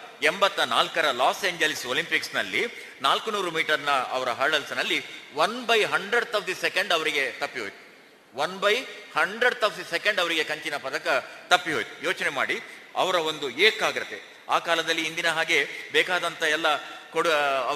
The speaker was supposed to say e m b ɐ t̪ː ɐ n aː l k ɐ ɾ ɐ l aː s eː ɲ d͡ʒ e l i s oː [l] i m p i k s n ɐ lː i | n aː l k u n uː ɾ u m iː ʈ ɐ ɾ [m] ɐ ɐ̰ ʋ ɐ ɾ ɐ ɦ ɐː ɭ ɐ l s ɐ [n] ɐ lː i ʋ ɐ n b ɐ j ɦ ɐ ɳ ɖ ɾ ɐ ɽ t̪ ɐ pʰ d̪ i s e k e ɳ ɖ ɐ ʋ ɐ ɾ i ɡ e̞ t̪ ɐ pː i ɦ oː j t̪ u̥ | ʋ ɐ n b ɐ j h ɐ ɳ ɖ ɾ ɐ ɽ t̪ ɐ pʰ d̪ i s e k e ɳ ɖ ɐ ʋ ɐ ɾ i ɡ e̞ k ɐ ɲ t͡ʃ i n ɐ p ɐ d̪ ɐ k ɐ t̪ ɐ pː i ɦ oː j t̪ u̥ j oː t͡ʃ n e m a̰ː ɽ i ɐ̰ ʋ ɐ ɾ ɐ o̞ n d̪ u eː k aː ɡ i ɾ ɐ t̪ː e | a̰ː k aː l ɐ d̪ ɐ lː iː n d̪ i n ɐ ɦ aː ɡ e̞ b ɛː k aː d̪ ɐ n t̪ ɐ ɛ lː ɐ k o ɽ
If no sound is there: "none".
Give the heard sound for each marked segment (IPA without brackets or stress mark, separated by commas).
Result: l, n, n